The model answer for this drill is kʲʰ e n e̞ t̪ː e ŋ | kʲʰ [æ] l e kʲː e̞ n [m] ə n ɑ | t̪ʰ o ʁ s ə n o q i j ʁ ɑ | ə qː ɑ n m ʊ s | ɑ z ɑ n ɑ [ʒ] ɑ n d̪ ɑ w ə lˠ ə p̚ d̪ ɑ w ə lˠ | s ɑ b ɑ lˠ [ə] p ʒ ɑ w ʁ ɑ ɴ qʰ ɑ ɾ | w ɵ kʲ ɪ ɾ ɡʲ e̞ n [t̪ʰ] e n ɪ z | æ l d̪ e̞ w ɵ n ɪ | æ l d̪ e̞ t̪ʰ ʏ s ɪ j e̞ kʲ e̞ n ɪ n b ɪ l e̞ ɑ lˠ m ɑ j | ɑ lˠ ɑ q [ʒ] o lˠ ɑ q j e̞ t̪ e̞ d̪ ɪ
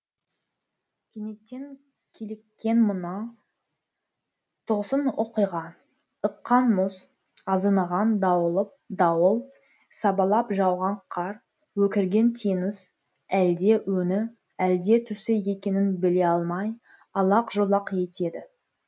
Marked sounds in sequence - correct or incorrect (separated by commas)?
incorrect, correct, incorrect, incorrect, correct, correct